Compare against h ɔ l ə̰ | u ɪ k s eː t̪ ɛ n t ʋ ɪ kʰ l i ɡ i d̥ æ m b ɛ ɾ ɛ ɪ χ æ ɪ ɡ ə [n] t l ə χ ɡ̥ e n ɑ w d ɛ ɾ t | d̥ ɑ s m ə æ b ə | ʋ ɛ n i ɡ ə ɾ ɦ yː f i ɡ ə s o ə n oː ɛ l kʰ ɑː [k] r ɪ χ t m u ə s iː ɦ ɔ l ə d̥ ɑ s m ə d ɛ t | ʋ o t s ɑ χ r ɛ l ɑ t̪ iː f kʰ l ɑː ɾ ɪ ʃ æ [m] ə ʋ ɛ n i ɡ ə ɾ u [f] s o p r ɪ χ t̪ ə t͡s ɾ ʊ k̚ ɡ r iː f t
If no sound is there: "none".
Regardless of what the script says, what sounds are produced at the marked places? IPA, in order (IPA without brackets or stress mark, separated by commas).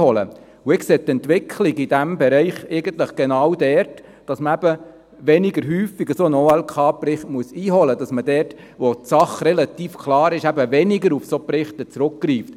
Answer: n, p, b, f